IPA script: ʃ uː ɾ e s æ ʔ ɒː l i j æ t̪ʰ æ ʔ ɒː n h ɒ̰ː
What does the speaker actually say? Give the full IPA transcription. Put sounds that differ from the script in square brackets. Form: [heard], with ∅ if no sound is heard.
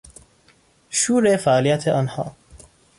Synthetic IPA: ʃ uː ɾ e [f] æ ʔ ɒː l i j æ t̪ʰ [e] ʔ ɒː n h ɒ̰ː